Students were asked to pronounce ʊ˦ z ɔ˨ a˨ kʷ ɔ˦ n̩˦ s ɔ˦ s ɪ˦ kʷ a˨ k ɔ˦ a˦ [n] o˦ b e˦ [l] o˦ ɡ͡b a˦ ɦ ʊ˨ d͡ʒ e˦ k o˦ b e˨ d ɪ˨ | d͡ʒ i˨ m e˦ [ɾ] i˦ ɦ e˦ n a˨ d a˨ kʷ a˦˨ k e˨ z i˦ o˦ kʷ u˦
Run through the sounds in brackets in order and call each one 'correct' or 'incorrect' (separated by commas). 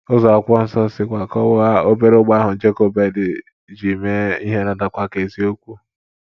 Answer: incorrect, incorrect, incorrect